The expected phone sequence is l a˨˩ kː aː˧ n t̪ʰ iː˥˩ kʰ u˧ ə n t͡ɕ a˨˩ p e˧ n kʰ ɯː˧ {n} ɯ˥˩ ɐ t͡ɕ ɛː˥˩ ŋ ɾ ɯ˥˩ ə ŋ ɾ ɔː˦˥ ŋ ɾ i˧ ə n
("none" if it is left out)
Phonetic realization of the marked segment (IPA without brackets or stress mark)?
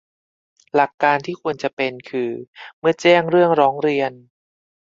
m